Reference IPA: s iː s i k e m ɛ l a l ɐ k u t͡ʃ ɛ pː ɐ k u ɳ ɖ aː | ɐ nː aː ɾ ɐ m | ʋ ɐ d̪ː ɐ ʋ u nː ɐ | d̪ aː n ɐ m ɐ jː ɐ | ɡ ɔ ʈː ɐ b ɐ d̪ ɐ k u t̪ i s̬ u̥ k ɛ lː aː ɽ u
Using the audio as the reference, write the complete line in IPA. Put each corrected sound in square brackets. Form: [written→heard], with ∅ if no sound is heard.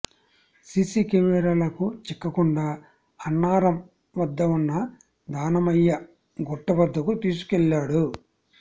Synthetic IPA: s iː s i k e m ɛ [l→ɾ] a l ɐ k u t͡ʃ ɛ [pː→kː] ɐ k u ɳ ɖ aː | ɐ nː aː ɾ ɐ m | ʋ ɐ d̪ː ɐ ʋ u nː ɐ | d̪ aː n ɐ m ɐ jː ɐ | ɡ ɔ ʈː ɐ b ɐ [d̪→d̪ː] ɐ k u t̪ [i→iː] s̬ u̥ k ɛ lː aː ɽ u